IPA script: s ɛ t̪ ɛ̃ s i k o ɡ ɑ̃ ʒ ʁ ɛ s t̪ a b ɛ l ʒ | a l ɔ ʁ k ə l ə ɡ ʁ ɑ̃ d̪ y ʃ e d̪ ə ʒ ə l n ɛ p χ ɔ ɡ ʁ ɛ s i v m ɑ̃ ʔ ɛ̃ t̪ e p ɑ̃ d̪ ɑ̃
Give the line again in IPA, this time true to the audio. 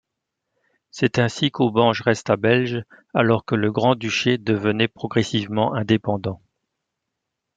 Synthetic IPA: s ɛ t̪ ɛ̃ s i k o b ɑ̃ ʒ ʁ ɛ s t̪ a b ɛ l ʒ | a l ɔ ʁ k ə l ə ɡ ʁ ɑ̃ d̪ y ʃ e d̪ ə v ə n ɛ p χ ɔ ɡ ʁ ɛ s i v m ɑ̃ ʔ ɛ̃ d̪ e p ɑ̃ d̪ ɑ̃

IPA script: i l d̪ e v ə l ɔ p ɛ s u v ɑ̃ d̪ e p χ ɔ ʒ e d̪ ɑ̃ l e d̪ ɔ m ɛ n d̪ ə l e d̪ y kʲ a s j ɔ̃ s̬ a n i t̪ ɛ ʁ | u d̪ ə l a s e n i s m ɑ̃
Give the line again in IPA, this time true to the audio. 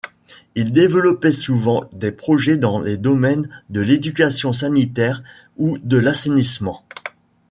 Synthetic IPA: i l d̪ e v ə l ɔ p ɛ s u v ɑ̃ d̪ e p χ ɔ ʒ ɛ d̪ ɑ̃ l e d̪ ɔ m ɛ n d̪ ə l e d̪ y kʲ a s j ɔ̃ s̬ a n i t̪ ɛ ʁ | u d̪ ə l a s e n i s m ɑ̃

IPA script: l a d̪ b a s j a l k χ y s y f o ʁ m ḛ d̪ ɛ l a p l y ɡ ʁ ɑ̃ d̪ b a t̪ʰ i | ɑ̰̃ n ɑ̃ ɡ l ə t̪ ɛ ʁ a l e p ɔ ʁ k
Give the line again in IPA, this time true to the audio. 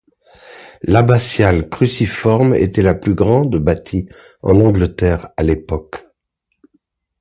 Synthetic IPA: l a b a s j a l k χ y s i f ɔ ʁ m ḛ t̪ ɛ l a p l y ɡ ʁ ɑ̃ d̪ b a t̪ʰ i | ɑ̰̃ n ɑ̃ ɡ l ə t̪ ɛ ʁ a l e p ɔ k

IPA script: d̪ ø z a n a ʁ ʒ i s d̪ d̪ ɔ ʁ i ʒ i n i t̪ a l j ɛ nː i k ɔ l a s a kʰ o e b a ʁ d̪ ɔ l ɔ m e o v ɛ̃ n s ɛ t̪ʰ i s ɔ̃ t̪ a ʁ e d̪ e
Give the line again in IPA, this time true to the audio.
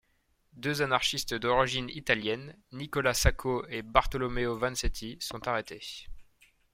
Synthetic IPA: d̪ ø z a n a ʁ ʃ i s t̪ d̪ ɔ ʁ i ʒ i n i t̪ a l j ɛ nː i k ɔ l a s a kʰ o e b a ʁ t̪ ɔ l ɔ m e o v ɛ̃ n s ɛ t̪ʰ i s ɔ̃ t̪ a ʁ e t̪ e

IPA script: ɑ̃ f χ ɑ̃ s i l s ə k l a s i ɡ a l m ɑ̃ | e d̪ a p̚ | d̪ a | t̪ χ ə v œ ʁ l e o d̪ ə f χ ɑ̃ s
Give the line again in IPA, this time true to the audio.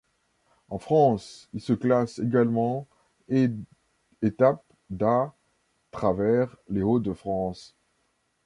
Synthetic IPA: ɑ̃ f χ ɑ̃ s i l s ə k l a s e ɡ a l m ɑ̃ | e t̪ a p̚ | d̪ a | t̪ χ a v ɛ ʁ l e o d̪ ə f χ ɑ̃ s

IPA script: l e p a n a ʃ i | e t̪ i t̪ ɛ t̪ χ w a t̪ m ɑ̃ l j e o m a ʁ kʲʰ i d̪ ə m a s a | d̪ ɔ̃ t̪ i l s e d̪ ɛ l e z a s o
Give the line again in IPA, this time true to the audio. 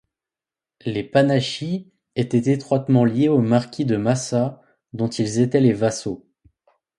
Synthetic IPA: l e p a n a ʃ i | e t̪ ɛ t̪ e t̪ χ w a t̪ m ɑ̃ l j e o m a ʁ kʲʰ i d̪ ə m a s a | d̪ ɔ̃ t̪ i l z e t̪ ɛ l e v a s o

